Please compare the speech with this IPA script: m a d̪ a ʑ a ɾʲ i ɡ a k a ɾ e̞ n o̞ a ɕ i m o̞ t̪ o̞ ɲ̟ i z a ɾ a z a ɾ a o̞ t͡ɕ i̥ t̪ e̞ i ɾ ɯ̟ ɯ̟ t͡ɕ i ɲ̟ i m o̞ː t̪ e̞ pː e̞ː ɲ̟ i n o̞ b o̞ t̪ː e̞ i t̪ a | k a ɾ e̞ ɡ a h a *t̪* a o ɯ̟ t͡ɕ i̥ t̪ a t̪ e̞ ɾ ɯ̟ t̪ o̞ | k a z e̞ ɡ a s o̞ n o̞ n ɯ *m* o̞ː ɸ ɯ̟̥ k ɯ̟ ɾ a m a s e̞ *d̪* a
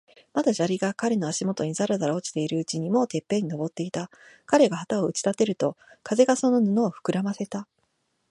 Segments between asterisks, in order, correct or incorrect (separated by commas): correct, incorrect, incorrect